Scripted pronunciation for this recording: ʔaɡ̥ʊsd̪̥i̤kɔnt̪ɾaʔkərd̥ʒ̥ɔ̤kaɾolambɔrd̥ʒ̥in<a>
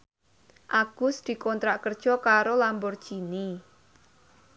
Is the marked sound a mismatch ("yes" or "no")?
yes